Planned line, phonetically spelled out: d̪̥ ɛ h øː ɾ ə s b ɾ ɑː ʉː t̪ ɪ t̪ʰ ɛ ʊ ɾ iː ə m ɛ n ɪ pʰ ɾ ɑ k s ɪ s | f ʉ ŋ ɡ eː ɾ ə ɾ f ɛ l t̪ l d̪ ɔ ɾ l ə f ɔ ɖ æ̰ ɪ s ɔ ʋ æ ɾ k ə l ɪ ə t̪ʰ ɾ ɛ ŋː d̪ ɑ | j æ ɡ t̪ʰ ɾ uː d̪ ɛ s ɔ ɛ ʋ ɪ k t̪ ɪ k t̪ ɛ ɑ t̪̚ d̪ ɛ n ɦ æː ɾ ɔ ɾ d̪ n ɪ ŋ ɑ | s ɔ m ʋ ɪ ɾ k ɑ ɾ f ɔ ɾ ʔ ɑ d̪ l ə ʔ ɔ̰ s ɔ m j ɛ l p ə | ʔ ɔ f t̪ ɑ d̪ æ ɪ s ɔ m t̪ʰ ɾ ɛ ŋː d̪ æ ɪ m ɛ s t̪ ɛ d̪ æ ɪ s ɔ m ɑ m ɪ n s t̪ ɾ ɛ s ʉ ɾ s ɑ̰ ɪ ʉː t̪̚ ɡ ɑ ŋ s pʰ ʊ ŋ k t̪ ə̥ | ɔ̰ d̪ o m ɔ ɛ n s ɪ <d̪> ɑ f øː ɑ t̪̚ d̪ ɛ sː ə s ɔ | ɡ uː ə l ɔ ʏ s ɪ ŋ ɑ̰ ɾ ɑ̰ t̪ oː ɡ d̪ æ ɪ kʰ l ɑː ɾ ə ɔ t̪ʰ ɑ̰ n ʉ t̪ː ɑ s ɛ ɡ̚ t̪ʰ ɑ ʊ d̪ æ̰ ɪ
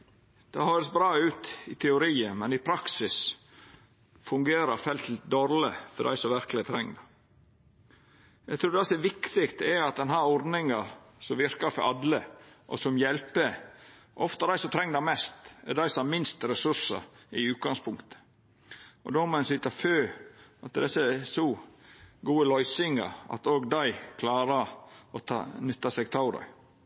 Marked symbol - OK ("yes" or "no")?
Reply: no